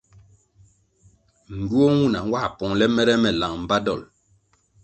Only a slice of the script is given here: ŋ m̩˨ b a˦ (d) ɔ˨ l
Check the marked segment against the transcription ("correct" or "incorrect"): correct